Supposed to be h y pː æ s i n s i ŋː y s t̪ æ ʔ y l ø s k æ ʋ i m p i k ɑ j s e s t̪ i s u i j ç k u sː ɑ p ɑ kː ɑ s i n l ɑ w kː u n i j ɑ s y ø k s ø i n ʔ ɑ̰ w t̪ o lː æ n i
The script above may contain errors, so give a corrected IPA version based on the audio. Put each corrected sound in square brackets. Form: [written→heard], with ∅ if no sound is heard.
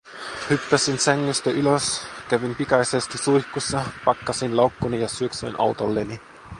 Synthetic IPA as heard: h y pː æ s i n s [i→æ] ŋː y s t̪ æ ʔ y l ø s k æ ʋ i m p i k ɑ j s e s t̪ i s u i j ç k u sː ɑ p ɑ kː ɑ s i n l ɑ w kː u n i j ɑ s y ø k s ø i n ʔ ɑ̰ w t̪ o lː [æ→e] n i

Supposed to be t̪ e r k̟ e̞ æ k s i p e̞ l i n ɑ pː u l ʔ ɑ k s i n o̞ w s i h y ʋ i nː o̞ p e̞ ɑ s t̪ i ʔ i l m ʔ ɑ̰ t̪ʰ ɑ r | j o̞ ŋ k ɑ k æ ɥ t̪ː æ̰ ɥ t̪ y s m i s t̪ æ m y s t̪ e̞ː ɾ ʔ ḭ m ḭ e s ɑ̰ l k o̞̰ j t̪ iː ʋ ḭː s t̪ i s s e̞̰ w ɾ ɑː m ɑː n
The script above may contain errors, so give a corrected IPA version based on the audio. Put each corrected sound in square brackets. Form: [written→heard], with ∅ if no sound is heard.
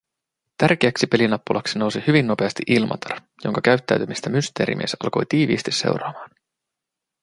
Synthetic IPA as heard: t̪ [e→æ] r k̟ e̞ æ k s i p e̞ l i n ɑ pː u l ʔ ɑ k s i n o̞ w s i h y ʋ i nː o̞ p e̞ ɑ s t̪ i ʔ i l m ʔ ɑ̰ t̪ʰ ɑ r | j o̞ ŋ k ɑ k æ ɥ t̪ː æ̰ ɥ t̪ y [s→∅] m i s t̪ æ m y s t̪ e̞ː ɾ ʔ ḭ m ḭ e s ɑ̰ l k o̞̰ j t̪ iː ʋ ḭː s t̪ i s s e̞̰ w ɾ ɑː m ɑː n

